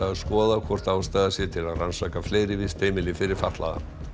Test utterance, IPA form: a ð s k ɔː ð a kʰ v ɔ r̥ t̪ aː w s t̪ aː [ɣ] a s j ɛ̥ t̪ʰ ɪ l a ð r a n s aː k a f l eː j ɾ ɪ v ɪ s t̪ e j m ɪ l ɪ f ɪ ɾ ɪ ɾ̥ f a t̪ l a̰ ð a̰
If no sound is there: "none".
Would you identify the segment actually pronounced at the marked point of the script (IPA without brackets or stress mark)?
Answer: ð